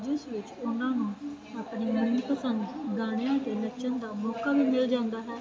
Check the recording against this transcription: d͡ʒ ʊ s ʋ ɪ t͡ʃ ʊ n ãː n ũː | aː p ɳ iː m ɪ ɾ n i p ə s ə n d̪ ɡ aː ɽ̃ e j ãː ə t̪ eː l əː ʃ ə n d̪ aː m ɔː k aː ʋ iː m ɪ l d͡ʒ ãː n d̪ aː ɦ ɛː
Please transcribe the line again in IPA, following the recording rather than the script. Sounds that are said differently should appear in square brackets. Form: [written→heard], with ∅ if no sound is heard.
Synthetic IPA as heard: d͡ʒ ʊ s ʋ ɪ t͡ʃ ʊ n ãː n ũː | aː p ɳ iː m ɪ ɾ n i p ə s ə n d̪ ɡ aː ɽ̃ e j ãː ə t̪ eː l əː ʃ ə n d̪ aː m ɔː k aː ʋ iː m ɪ l d͡ʒ ãː n d̪ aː ɦ ɛː